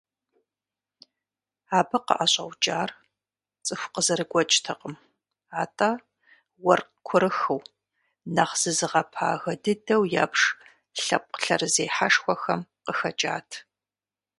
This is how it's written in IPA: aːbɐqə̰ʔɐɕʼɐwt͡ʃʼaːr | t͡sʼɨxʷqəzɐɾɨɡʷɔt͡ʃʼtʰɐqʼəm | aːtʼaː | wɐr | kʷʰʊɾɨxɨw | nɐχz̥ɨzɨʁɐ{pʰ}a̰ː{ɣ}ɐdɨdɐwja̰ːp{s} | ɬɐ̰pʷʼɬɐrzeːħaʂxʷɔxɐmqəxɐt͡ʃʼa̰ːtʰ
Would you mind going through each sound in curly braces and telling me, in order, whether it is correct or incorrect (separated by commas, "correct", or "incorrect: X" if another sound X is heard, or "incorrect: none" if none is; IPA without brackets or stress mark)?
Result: correct, correct, incorrect: ʂ